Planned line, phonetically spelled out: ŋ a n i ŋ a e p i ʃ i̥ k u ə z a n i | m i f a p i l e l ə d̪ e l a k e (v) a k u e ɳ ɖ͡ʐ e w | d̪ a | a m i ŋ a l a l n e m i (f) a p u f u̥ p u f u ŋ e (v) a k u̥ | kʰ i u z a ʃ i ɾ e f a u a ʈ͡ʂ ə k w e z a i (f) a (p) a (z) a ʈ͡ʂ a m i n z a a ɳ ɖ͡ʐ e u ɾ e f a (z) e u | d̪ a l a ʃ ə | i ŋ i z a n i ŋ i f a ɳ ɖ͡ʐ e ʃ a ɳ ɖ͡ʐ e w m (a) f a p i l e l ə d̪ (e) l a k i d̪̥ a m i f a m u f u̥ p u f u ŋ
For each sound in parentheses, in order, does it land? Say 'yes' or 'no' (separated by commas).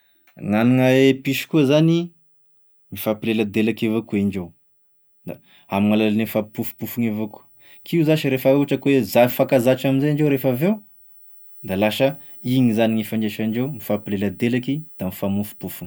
yes, yes, yes, yes, no, yes, no, no, yes